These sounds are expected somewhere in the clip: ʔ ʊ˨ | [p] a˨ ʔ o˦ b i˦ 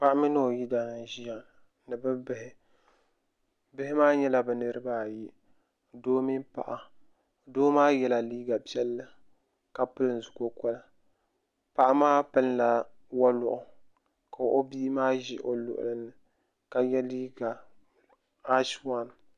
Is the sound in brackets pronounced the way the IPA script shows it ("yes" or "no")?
no